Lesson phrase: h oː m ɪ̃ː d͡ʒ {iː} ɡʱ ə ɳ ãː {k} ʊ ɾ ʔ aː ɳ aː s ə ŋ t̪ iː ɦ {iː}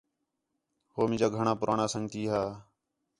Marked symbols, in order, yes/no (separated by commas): no, no, no